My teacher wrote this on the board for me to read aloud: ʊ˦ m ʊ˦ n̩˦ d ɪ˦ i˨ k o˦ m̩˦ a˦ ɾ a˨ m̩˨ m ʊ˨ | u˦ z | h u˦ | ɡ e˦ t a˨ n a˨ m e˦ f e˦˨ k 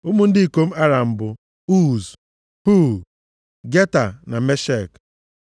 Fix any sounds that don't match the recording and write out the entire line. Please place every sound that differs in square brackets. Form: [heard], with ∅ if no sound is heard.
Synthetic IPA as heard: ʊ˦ m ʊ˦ n̩˦ d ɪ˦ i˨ k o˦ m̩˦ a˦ ɾ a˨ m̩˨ [b] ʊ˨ | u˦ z | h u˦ | ɡ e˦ t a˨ n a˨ m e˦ [ʃ] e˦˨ k